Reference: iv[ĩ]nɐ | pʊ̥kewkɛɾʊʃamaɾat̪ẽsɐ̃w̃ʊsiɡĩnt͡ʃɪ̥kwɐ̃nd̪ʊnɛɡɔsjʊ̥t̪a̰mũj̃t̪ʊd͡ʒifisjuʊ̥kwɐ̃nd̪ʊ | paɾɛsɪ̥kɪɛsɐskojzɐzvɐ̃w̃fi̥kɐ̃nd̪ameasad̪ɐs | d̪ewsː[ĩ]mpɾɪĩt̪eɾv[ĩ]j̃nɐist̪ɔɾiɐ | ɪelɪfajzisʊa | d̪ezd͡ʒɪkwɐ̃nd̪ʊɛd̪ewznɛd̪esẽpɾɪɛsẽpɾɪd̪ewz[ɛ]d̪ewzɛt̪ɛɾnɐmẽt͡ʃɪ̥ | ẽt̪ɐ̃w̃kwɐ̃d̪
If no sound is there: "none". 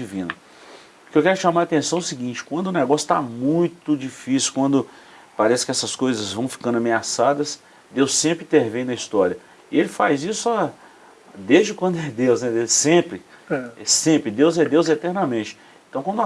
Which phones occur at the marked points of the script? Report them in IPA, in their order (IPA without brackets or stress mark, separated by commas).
ĩ, ẽ, ẽ, ɛ